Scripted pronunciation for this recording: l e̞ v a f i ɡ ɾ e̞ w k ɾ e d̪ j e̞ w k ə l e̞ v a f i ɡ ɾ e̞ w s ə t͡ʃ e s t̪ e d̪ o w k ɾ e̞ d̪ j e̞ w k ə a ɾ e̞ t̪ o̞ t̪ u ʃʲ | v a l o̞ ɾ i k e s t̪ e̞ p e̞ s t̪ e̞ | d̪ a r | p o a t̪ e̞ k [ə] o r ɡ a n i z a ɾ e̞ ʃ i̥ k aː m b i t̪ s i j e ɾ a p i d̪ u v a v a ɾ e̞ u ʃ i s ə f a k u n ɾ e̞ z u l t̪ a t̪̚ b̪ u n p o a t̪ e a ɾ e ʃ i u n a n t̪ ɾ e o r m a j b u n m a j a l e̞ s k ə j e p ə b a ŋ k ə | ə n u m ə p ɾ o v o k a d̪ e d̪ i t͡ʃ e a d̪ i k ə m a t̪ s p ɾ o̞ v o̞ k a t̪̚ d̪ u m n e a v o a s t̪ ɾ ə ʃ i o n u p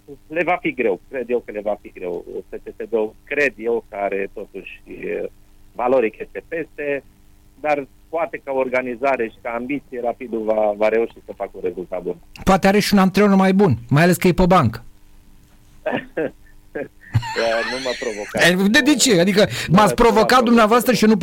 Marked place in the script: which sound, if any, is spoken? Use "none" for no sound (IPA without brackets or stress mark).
a